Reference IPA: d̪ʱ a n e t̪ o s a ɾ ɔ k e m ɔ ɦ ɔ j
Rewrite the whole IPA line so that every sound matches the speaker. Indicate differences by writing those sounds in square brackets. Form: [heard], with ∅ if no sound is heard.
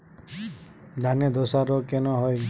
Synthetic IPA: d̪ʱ a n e [d̪] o s a ɾ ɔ k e [n] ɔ ɦ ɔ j